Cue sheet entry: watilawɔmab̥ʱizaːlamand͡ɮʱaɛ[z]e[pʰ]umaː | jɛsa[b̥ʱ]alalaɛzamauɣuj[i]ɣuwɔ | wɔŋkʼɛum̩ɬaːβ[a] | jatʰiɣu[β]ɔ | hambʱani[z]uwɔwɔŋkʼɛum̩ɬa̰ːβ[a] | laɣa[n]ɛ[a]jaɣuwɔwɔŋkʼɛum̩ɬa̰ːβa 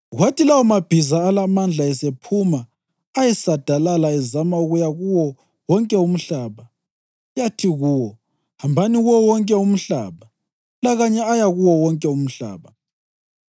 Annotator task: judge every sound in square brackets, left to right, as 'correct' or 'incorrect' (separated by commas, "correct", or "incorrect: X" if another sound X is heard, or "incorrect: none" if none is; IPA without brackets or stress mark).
incorrect: s, correct, incorrect: d̥ʱ, incorrect: a, correct, incorrect: w, incorrect: ɣ, correct, incorrect: ɲ, correct